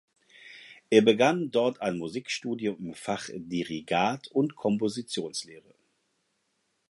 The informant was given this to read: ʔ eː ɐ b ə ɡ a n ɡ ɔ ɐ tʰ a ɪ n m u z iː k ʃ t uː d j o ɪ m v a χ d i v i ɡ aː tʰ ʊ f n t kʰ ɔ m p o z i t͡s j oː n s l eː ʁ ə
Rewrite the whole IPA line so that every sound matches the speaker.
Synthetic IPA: ʔ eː ɐ b ə ɡ a n d ɔ ɐ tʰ a ɪ n m u z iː k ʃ t uː d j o ɪ m f a χ d i ʁ i ɡ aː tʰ ʊ n t kʰ ɔ m p o z i t͡s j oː n s l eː ʁ ə